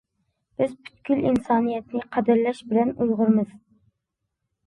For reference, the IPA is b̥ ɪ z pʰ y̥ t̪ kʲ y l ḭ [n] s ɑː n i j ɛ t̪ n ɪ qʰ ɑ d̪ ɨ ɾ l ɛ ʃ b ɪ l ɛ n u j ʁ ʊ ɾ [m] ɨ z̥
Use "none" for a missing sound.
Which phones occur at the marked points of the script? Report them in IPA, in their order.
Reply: n, m

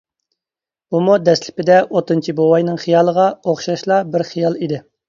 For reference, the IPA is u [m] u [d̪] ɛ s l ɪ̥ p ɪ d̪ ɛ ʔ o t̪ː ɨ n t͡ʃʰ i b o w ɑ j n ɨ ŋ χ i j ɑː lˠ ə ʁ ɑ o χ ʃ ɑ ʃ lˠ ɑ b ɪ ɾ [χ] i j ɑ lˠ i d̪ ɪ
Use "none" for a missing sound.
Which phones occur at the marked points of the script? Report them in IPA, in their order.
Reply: m, d̪, χ

